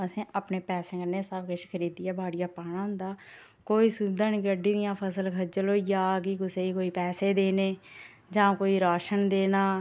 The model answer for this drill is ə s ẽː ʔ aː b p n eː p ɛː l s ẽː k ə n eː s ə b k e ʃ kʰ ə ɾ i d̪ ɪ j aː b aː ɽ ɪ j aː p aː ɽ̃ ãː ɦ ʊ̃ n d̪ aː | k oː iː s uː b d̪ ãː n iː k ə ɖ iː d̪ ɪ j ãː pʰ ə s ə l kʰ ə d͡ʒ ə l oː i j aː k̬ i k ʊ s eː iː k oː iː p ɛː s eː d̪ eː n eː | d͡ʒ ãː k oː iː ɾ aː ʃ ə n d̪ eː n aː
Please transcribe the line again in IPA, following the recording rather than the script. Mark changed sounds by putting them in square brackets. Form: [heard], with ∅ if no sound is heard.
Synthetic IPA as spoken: ə s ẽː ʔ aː [∅] p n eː p ɛː [∅] s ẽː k ə n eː s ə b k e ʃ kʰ ə ɾ [iː] d̪ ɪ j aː b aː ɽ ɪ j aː p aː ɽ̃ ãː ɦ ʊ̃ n d̪ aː | k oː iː s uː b d̪ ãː n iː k ə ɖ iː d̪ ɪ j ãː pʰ ə s ə l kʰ ə d͡ʒ ə l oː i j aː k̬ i k ʊ s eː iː k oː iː p ɛː s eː d̪ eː n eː | d͡ʒ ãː k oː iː ɾ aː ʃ ə n d̪ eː n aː